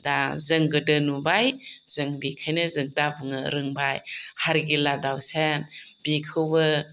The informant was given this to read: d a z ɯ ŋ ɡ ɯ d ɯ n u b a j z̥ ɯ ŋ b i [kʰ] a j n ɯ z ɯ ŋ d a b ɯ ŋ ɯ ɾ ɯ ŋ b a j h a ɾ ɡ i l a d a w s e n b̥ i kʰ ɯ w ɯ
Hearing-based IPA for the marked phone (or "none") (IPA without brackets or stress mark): kʰ